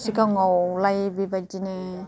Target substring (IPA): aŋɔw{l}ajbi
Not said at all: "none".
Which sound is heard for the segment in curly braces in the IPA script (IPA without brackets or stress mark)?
l